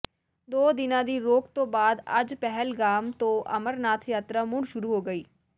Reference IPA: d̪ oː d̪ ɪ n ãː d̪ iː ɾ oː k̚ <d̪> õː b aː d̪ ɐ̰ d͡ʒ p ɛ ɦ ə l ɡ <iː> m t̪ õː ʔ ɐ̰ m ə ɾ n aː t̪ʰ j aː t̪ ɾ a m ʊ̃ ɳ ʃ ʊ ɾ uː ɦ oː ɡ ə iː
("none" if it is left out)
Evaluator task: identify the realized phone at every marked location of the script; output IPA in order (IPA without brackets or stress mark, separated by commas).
t̪, aː